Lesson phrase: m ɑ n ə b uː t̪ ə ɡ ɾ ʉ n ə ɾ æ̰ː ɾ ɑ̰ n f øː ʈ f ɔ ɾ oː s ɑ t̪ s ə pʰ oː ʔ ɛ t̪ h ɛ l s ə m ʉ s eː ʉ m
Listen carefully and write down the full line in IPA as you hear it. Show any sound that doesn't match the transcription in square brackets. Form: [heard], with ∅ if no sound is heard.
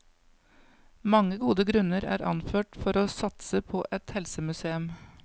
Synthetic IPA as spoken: m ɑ [ŋ] ə [ɡ] uː [d̪] ə ɡ ɾ ʉ n ə ɾ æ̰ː ɾ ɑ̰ n f øː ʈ f ɔ ɾ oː s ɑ t̪ s ə pʰ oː ʔ ɛ t̪ h ɛ l s ə m ʉ s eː ʉ m